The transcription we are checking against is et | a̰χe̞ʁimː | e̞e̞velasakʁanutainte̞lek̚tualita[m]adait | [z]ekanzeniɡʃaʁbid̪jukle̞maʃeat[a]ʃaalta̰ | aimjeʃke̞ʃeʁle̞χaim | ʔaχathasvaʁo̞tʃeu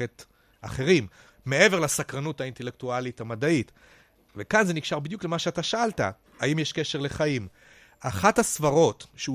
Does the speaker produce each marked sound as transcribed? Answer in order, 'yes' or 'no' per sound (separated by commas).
yes, no, yes